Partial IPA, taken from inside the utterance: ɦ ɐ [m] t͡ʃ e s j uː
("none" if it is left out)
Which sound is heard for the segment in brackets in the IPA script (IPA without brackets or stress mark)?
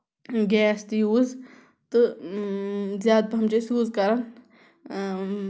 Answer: m